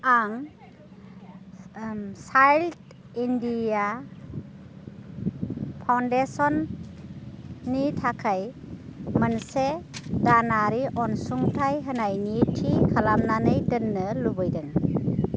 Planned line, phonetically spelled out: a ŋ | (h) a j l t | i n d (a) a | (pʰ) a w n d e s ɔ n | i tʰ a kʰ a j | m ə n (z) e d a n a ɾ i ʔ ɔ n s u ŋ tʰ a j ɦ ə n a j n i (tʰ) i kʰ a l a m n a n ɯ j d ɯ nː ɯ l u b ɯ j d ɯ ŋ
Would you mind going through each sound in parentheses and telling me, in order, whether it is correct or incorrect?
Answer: incorrect: s, incorrect: i, correct, incorrect: s, correct

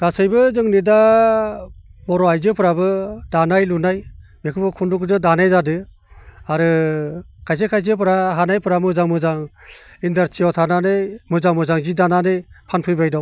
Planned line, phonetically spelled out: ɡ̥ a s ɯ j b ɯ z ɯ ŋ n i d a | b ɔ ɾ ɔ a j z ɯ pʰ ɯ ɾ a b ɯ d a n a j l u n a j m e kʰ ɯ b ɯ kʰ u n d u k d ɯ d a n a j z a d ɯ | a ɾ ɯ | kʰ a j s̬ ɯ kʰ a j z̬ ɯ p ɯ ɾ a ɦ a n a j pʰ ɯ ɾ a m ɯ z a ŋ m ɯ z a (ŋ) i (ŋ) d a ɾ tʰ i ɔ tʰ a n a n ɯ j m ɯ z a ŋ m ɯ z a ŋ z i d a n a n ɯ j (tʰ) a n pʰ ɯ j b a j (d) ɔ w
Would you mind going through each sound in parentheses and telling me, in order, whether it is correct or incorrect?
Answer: correct, incorrect: n, incorrect: pʰ, correct

